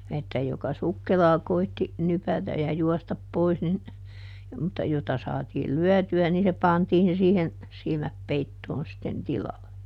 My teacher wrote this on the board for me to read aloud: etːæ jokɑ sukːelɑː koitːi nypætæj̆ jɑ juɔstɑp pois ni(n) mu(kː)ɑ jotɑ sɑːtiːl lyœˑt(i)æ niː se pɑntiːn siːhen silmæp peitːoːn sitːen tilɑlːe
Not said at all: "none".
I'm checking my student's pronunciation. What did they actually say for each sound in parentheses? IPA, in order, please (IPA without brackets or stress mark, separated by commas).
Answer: n, tː, y